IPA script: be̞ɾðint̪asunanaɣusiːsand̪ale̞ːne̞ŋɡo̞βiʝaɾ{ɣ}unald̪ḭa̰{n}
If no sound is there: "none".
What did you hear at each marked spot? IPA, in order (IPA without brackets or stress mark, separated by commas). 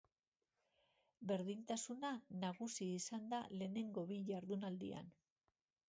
ð, n